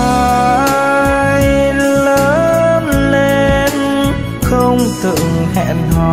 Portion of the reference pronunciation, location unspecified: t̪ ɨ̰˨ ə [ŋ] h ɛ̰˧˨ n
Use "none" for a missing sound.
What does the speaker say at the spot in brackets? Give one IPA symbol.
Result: ŋ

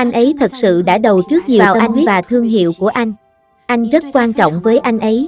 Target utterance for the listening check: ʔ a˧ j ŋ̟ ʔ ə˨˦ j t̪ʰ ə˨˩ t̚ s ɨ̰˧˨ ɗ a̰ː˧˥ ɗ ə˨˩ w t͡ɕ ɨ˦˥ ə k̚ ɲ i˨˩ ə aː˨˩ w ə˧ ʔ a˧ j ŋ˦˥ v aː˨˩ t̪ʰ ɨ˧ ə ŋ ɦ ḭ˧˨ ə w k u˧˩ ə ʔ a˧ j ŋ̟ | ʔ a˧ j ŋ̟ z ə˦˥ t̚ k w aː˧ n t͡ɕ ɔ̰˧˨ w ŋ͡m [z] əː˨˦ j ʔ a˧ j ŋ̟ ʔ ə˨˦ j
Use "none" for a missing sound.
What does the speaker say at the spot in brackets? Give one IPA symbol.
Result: v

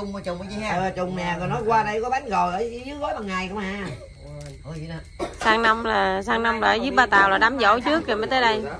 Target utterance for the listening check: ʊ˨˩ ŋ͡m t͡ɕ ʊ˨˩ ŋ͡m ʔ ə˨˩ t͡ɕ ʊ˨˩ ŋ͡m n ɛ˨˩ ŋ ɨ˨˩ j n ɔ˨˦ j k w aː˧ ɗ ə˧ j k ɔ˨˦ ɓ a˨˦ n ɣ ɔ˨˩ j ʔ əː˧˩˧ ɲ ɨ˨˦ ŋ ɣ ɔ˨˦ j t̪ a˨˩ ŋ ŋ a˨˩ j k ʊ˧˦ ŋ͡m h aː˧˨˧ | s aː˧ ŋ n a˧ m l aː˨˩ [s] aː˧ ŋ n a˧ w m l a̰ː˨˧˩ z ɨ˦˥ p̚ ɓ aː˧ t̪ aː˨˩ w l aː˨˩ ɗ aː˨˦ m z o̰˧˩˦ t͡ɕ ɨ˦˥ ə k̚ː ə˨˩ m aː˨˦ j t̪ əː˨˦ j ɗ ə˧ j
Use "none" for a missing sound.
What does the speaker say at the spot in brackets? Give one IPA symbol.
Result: s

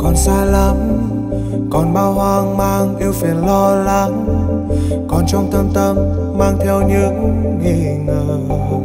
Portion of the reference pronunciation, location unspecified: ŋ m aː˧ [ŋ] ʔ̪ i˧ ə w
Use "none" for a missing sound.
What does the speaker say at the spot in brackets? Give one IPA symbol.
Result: ŋ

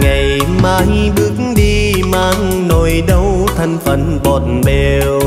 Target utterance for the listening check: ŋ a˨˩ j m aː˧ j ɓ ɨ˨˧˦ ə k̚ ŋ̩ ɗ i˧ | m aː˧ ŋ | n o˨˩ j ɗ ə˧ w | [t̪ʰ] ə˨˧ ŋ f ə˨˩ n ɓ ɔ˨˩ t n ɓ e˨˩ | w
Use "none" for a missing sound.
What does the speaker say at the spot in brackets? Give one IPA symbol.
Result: t̪ʰ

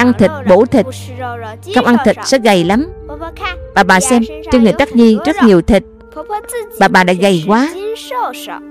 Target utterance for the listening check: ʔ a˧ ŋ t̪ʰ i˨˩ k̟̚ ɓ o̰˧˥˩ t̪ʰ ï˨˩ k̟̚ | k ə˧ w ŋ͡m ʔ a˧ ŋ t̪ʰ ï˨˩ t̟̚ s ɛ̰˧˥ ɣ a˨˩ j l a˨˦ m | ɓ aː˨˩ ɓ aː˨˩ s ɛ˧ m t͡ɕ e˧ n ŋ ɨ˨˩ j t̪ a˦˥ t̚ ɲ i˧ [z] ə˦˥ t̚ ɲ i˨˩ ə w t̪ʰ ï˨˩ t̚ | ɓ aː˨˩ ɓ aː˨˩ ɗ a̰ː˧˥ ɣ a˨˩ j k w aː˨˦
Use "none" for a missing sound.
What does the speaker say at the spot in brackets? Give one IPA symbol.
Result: z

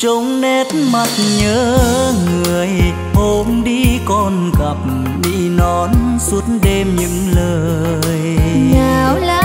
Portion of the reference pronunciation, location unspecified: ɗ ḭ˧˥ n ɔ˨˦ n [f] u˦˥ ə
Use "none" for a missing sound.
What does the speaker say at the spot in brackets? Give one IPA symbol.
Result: s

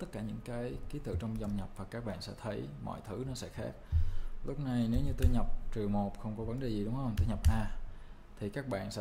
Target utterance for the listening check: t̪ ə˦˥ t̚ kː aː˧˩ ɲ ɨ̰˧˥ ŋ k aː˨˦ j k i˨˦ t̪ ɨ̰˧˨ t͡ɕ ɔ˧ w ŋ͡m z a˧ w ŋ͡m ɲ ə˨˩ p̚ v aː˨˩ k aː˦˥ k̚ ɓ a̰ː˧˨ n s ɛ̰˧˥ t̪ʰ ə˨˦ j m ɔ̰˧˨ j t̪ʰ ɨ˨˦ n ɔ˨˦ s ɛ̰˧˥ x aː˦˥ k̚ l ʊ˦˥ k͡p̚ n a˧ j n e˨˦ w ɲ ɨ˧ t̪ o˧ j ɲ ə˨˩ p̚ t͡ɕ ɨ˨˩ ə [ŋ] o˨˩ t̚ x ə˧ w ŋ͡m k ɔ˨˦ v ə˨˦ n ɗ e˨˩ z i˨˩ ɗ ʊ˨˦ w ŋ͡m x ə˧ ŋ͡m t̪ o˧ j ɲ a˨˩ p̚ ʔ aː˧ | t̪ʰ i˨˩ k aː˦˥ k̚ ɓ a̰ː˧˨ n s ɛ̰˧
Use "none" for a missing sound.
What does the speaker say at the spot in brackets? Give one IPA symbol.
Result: m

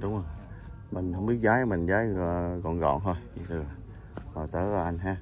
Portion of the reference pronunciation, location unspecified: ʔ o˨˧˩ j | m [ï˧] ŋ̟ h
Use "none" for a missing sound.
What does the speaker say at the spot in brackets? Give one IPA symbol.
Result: ï˨˩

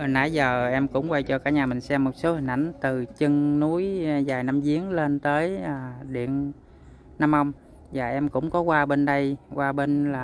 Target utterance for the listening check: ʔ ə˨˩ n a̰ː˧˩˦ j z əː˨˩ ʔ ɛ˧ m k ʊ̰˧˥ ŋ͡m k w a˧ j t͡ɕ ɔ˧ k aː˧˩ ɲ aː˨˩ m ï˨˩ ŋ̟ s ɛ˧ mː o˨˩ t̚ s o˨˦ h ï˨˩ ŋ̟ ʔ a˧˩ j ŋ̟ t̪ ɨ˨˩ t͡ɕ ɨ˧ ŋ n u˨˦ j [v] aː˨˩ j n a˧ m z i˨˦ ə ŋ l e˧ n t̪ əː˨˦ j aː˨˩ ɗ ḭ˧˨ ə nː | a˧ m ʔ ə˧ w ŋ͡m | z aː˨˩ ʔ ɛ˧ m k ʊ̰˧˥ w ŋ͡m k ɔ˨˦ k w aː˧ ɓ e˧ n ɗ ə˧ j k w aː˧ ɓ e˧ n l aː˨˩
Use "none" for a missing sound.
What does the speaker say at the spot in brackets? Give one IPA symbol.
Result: z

